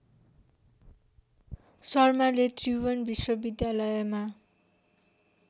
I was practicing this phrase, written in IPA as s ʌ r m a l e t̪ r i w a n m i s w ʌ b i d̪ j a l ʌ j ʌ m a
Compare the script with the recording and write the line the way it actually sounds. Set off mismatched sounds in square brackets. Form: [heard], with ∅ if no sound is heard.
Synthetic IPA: s ʌ r m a l e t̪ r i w [ʌ] n [b] i s w ʌ b i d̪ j a l ʌ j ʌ m a